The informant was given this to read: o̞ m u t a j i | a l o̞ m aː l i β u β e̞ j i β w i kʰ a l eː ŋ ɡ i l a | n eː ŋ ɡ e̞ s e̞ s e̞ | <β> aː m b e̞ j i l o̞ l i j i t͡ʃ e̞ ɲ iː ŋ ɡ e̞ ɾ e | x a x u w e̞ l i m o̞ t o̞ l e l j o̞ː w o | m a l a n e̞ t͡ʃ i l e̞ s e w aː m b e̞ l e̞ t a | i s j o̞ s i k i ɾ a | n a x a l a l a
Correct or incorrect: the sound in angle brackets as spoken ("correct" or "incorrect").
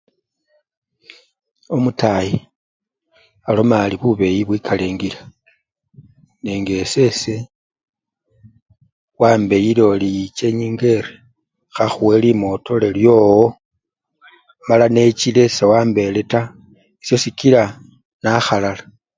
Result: incorrect